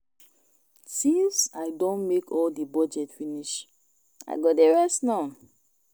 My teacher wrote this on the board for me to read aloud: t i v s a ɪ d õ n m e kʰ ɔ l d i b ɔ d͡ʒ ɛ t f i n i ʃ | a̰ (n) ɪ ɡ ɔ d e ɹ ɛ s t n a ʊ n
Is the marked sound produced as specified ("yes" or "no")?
no